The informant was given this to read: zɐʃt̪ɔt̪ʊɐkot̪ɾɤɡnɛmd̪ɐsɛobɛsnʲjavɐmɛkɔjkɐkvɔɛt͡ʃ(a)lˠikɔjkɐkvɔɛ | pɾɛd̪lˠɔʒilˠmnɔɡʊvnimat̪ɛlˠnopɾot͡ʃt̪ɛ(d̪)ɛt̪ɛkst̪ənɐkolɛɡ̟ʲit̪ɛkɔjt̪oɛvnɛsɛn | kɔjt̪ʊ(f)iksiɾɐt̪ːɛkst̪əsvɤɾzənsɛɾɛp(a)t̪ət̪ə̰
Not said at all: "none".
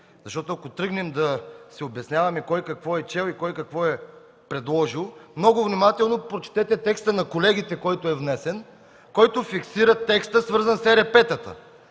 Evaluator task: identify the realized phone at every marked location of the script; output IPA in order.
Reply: ɛ, t̪, f, ɛ

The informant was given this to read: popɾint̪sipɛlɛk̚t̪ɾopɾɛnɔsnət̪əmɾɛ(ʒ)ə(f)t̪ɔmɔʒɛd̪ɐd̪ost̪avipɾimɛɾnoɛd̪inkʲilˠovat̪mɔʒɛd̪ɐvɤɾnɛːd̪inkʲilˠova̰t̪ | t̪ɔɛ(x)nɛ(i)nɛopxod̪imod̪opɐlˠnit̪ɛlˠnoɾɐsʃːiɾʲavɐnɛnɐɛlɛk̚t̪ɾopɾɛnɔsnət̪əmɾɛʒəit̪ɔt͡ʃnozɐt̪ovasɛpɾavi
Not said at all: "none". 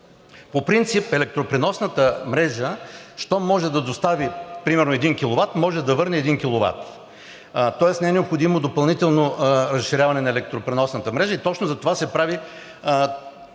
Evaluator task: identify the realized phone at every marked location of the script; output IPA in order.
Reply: ʒ, ʃ, s, ɛ

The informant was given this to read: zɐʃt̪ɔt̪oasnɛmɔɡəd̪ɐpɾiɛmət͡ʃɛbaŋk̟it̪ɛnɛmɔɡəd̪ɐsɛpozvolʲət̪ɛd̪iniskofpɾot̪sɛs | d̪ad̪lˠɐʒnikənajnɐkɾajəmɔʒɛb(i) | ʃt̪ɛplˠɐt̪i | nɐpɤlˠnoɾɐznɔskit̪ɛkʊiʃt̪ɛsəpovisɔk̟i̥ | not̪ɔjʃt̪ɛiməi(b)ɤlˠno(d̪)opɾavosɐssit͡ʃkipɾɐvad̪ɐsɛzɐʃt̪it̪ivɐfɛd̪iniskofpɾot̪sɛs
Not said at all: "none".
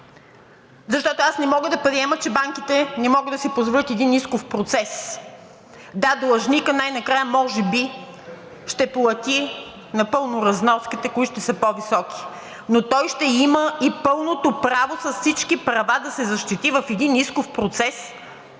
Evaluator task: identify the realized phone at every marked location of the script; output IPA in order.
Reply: i, p, t̪

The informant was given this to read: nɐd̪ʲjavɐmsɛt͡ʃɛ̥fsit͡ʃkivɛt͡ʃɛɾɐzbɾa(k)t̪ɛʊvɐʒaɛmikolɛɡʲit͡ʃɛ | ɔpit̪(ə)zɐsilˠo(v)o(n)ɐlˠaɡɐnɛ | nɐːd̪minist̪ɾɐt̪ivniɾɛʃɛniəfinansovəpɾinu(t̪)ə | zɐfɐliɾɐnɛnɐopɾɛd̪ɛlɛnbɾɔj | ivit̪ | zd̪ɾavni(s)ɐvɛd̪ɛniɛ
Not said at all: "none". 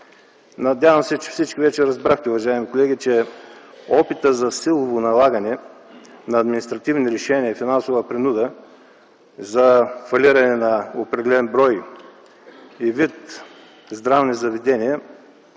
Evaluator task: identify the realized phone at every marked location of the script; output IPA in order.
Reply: x, ə, v, n, d̪, z

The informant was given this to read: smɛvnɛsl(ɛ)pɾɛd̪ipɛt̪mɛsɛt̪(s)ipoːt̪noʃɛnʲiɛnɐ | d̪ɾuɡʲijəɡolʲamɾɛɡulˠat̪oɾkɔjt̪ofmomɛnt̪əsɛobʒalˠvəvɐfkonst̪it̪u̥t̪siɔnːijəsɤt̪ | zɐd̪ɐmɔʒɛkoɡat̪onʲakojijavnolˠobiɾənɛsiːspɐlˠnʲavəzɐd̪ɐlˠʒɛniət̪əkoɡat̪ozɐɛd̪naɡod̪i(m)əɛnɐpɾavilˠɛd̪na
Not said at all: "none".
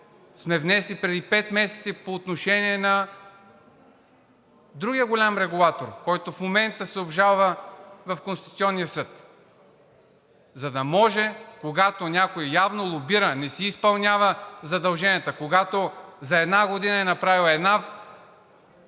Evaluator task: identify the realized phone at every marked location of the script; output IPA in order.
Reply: i, s, n

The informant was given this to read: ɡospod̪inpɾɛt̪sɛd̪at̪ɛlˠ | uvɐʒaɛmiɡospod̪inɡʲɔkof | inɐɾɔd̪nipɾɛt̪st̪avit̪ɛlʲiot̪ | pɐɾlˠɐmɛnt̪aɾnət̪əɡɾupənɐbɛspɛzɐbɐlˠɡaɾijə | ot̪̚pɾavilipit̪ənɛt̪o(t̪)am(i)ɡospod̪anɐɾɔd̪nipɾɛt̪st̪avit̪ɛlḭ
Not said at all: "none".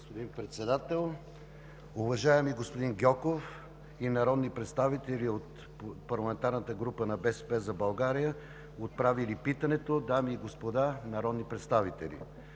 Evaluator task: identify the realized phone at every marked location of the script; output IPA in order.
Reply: d̪, iː

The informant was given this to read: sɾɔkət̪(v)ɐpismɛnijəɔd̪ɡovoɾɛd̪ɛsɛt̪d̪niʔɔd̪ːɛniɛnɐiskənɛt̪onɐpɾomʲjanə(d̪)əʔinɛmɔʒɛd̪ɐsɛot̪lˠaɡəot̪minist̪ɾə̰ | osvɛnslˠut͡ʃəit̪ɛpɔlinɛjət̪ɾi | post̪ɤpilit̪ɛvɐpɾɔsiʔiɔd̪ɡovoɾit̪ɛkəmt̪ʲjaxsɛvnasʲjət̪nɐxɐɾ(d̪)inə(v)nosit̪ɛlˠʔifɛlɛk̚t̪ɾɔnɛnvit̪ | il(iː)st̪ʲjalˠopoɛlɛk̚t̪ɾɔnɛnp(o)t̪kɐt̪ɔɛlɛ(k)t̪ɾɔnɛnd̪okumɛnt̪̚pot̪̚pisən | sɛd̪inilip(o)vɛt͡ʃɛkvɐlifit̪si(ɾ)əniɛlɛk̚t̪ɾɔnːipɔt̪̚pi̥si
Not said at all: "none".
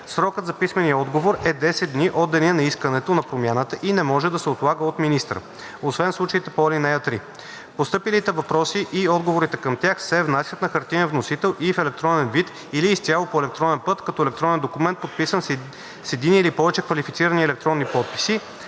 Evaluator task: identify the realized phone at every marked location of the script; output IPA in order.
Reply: z, t̪, t̪, v, iː, ɤ, k, ɔ, ɾ

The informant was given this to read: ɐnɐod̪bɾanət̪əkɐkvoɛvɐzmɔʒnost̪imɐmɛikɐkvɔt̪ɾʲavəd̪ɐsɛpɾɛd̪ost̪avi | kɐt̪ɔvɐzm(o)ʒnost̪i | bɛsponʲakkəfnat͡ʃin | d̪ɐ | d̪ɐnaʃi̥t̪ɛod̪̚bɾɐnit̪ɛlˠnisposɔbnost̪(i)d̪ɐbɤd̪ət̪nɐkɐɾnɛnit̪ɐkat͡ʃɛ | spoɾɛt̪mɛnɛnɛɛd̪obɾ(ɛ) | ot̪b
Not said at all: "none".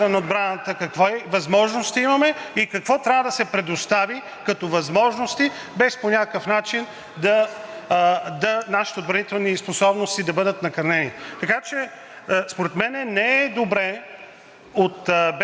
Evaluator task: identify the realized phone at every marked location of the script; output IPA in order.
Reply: ɔ, i, ɛ

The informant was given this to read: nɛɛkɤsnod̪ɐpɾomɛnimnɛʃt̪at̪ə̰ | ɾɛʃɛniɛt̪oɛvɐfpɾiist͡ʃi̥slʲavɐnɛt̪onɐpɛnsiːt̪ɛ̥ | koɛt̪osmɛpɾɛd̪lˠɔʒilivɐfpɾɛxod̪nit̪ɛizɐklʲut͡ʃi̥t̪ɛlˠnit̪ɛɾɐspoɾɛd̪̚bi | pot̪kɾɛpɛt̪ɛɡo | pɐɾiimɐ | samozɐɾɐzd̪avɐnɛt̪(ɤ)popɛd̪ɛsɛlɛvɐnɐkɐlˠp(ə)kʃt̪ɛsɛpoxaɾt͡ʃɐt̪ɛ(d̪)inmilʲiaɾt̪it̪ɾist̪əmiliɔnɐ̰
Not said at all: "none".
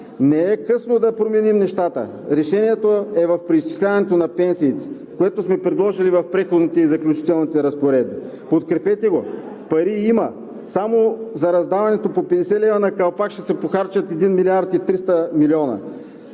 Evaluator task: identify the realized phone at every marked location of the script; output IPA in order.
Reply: o, a, d̪

